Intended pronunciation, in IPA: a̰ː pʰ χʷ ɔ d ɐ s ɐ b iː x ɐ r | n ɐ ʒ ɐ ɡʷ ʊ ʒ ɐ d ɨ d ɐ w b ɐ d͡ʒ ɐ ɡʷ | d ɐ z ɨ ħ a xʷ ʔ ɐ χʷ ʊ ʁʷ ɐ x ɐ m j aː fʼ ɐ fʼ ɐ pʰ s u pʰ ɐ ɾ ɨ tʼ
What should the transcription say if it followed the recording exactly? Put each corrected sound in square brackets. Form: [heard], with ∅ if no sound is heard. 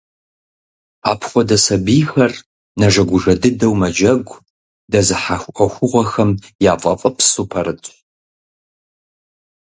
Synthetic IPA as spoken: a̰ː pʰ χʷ ɔ d ɐ s ɐ b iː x ɐ r | n ɐ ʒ ɐ ɡʷ ʊ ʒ ɐ d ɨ d ɐ w [m] ɐ d͡ʒ ɐ ɡʷ | d ɐ z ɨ ħ a xʷ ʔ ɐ [xʷ] ʊ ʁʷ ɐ x ɐ m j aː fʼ ɐ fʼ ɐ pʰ s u pʰ ɐ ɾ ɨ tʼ